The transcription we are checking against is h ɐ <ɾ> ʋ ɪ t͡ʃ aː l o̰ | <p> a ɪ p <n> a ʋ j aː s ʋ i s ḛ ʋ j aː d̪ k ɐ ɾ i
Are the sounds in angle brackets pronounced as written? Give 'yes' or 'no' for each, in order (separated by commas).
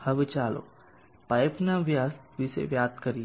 no, yes, yes